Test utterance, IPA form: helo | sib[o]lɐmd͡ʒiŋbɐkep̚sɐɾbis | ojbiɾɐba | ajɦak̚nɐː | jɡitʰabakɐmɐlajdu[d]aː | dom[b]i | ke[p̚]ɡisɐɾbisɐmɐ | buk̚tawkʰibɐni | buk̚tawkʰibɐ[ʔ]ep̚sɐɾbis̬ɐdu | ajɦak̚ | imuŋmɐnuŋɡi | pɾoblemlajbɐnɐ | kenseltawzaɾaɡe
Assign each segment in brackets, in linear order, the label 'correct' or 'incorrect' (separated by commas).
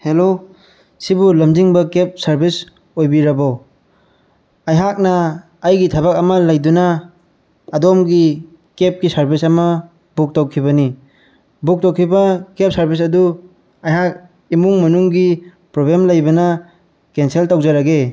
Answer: incorrect, incorrect, incorrect, correct, incorrect